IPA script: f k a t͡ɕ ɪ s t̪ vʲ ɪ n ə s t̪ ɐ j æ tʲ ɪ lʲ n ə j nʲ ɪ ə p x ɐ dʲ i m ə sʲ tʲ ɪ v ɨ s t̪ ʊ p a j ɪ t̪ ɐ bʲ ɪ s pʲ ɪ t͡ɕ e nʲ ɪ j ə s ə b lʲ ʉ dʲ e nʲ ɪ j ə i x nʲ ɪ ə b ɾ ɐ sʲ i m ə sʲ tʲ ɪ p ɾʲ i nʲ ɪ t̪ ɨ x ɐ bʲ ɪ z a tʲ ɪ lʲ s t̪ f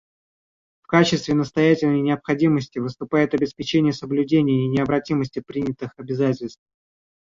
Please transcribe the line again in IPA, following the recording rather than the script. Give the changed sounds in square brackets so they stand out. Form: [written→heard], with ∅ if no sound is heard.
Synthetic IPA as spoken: f k a t͡ɕ ɪ s t̪ vʲ ɪ n ə s t̪ ɐ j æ tʲ ɪ lʲ n ə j nʲ ɪ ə p x ɐ dʲ i m ə sʲ tʲ ɪ v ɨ s t̪ ʊ p a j ɪ t̪ ɐ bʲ ɪ s pʲ ɪ t͡ɕ e nʲ ɪ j ə s ə b lʲ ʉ dʲ e nʲ ɪ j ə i [x→∅] nʲ ɪ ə b ɾ ɐ [sʲ→tʲ] i m ə sʲ tʲ ɪ p ɾʲ i nʲ ɪ t̪ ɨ x ɐ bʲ ɪ z a tʲ ɪ lʲ s t̪ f